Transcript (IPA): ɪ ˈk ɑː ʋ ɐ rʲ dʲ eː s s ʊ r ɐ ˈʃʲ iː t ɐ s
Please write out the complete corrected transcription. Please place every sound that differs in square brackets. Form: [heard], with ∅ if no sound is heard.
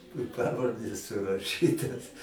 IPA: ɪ [ˈp] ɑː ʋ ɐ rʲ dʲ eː s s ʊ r ɐ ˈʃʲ iː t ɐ s